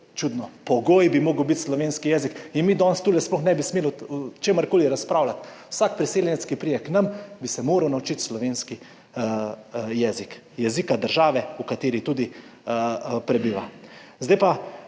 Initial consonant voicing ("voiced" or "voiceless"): voiceless